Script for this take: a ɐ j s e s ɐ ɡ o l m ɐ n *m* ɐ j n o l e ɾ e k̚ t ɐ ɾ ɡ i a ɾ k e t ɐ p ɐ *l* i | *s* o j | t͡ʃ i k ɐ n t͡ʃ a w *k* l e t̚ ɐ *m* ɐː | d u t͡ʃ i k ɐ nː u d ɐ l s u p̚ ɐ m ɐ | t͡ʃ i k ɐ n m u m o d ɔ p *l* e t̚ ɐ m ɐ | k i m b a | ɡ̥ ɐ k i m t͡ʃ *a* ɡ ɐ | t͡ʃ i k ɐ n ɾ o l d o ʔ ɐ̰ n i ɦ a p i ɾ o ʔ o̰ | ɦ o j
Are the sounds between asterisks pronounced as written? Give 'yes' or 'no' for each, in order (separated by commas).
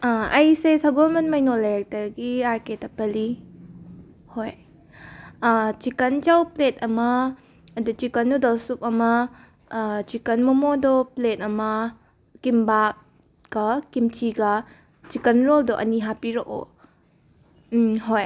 yes, yes, no, no, yes, yes, no